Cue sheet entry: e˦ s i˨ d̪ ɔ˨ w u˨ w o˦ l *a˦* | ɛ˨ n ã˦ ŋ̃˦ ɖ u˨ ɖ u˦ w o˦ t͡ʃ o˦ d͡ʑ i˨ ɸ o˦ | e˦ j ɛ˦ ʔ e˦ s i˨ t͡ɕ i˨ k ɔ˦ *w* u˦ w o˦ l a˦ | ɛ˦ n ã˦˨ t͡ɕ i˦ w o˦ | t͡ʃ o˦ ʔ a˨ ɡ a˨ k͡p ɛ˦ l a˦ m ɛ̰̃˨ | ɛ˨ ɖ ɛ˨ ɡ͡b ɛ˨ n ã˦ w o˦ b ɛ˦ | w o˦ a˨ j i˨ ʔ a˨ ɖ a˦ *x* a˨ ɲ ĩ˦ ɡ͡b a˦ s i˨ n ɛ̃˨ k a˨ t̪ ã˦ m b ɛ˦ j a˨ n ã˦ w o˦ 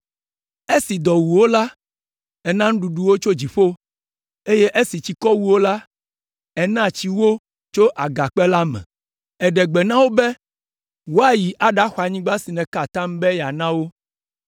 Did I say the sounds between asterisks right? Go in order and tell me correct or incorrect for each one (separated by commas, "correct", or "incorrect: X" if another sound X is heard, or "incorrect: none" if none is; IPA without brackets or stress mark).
correct, correct, correct